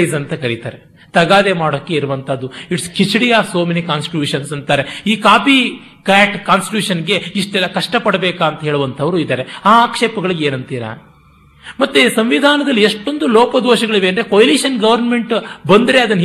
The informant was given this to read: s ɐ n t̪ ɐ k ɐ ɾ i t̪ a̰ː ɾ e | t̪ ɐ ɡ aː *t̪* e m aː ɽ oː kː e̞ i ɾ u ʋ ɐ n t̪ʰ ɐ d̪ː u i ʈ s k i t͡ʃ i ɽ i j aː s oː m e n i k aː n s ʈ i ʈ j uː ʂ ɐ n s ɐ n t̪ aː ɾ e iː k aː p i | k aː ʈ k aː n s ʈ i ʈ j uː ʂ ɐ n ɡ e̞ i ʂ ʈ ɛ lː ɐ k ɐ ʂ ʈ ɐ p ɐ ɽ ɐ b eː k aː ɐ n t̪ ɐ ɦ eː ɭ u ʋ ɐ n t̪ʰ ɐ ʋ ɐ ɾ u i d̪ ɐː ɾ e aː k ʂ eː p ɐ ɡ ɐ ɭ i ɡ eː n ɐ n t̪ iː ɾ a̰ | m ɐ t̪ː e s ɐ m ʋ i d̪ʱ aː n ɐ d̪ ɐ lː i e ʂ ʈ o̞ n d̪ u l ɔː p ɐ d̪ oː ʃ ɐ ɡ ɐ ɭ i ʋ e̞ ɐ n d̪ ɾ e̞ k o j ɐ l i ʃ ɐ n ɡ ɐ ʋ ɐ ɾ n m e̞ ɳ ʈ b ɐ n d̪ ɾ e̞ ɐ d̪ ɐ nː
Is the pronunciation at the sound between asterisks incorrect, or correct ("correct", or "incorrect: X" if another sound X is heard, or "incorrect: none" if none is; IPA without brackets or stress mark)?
incorrect: d̪